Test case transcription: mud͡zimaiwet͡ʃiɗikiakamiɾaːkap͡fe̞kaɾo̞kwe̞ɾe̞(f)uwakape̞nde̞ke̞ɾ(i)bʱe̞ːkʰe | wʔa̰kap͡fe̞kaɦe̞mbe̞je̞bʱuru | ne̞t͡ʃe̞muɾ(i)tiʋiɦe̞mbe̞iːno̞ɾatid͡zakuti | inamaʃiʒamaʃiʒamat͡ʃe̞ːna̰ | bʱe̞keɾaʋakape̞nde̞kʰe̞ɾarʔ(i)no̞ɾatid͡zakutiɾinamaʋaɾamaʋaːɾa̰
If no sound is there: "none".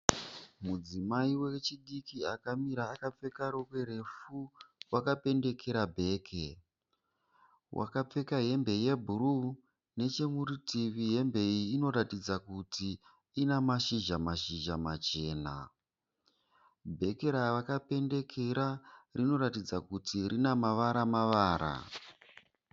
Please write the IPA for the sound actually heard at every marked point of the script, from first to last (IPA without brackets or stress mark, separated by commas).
f, a, i, i